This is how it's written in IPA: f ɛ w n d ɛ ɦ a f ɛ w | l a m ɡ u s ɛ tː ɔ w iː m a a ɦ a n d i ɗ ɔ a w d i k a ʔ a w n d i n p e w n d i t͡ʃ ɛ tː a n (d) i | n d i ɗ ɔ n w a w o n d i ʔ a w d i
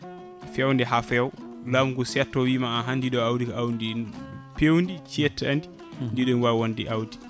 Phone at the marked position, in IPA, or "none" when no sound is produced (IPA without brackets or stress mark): d